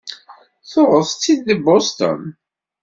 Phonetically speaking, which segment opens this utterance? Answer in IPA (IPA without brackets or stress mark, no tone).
θ